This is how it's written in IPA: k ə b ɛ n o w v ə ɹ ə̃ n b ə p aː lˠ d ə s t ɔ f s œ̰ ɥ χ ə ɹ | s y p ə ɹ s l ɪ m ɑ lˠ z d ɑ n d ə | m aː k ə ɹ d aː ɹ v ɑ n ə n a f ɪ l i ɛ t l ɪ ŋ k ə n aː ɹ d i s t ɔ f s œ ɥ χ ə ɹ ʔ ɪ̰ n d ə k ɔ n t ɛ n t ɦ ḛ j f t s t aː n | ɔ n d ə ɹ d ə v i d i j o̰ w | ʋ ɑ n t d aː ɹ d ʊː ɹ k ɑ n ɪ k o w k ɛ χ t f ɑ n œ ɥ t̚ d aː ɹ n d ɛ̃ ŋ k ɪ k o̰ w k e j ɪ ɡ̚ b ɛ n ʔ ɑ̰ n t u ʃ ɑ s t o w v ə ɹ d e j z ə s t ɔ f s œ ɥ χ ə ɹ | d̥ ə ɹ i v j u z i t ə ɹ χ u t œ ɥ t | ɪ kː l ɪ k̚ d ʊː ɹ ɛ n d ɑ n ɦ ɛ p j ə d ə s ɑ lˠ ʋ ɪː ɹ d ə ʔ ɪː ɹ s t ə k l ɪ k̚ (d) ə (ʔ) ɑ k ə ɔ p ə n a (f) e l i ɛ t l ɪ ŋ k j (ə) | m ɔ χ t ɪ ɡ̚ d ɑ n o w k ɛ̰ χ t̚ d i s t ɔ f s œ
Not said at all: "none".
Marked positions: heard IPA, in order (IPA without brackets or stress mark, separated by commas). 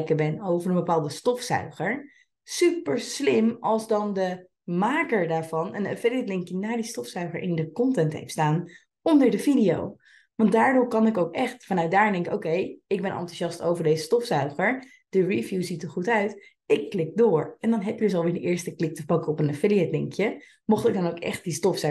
t, p, f, ə